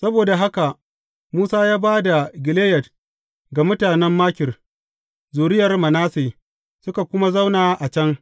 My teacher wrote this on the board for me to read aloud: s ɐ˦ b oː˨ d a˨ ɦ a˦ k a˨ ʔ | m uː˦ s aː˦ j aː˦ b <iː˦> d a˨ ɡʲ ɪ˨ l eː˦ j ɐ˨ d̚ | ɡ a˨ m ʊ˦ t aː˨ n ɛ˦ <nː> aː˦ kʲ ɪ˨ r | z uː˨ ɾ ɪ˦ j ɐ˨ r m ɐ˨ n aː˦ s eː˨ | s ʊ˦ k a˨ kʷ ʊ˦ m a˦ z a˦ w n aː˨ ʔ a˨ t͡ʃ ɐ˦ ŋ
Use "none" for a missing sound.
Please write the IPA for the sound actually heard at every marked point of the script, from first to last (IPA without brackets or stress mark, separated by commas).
aː˦, mː